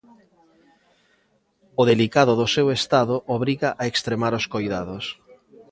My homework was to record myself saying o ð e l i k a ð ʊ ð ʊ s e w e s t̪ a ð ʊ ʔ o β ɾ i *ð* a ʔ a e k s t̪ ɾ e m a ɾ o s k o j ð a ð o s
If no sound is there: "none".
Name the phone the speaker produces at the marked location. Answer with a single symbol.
ɣ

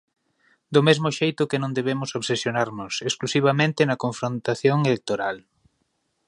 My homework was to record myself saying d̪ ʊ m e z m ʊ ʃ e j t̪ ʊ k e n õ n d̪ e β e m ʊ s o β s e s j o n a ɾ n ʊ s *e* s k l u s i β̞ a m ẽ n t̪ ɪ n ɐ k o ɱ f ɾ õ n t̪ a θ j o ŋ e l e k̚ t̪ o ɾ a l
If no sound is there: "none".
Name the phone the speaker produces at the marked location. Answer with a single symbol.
e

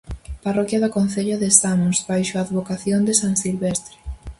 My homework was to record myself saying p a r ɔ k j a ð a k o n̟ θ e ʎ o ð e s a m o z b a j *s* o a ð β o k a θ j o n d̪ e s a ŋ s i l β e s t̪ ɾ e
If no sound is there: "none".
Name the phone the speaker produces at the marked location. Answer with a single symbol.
ʃ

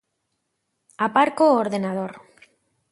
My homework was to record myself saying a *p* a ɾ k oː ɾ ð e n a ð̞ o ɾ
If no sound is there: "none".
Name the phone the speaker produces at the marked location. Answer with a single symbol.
p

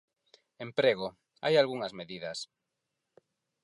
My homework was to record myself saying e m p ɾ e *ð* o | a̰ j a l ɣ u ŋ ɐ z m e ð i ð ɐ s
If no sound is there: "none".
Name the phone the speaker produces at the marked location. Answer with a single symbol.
ɣ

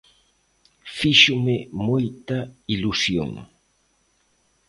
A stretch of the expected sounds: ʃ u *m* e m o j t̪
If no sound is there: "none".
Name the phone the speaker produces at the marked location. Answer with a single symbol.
m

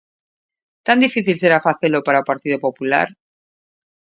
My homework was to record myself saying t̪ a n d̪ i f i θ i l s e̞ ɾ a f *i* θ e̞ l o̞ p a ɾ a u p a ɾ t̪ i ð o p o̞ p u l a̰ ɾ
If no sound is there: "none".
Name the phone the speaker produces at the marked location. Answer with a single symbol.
a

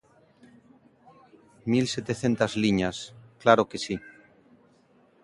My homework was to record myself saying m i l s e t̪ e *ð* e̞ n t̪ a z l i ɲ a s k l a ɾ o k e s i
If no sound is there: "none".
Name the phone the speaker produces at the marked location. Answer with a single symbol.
θ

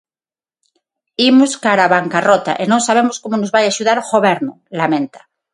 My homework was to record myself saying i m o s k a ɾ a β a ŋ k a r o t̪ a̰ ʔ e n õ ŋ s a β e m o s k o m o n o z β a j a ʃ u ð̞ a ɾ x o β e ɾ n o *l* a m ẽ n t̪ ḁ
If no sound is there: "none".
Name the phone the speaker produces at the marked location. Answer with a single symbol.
l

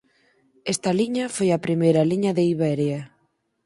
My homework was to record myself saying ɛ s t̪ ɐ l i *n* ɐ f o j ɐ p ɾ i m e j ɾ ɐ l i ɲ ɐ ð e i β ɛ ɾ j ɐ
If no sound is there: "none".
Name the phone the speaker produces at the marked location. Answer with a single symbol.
ɲ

